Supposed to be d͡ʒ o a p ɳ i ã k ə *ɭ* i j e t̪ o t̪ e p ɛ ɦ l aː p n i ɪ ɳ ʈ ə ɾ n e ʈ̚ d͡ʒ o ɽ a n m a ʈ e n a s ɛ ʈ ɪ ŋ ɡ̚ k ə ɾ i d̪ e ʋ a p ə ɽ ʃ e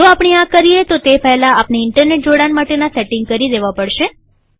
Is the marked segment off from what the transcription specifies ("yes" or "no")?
yes